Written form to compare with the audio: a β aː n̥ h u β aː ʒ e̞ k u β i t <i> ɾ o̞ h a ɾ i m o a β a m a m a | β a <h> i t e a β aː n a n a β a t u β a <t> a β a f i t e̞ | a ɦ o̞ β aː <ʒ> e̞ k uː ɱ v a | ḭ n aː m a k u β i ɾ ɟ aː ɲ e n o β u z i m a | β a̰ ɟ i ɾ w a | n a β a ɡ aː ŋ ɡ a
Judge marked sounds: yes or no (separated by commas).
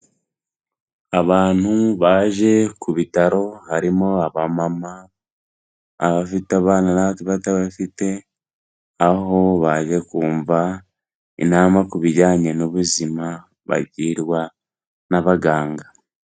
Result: no, no, yes, yes